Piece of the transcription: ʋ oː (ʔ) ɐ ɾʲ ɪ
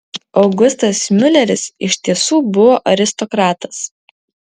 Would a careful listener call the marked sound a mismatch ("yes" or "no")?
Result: no